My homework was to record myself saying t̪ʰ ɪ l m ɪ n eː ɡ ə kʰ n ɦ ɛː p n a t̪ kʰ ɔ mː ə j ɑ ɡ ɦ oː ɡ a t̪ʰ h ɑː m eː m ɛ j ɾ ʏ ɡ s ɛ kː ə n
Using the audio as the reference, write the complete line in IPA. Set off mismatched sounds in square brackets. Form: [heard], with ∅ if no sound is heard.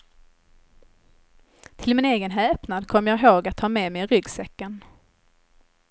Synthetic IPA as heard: t̪ʰ ɪ l m ɪ n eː ɡ ə [∅] n ɦ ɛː p n a [d̪] kʰ ɔ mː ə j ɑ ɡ ɦ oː ɡ a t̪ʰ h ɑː m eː m ɛ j ɾ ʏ ɡ s ɛ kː ə n